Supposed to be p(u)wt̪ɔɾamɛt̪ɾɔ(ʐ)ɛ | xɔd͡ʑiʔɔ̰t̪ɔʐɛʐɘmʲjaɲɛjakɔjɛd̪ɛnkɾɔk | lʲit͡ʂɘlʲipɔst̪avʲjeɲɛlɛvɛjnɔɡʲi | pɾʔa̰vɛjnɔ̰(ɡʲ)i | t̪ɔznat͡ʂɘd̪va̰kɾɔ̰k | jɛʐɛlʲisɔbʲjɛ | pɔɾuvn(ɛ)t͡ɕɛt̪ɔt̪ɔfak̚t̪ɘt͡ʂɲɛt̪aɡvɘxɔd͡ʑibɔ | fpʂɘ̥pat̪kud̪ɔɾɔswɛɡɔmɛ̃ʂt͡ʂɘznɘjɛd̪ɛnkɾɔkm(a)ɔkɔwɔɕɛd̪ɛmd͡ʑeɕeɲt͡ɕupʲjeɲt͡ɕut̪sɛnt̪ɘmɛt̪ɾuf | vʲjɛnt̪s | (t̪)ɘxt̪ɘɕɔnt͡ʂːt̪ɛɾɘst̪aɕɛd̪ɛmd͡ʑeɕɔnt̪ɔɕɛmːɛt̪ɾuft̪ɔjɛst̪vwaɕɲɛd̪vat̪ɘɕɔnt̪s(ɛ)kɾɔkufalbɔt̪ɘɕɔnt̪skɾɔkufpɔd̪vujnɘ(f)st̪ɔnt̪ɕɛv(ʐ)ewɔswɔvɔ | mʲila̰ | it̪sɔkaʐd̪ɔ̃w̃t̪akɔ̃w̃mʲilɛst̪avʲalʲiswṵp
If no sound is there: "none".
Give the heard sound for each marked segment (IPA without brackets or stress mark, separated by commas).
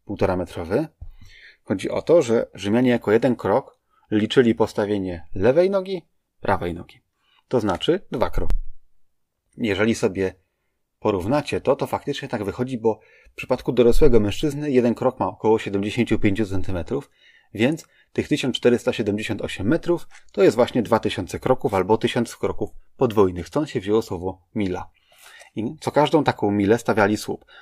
u, v, ɡʲ, a, a, t̪, ɛ, x, ʑ